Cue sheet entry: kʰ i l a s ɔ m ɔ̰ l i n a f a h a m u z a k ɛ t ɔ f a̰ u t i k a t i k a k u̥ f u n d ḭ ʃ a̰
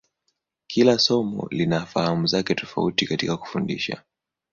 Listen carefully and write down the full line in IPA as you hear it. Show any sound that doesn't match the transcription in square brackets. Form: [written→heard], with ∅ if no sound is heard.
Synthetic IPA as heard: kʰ i l a s ɔ m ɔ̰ l i n a f a h a m u z a k ɛ t ɔ f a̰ u t i k a t i k a k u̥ f u n d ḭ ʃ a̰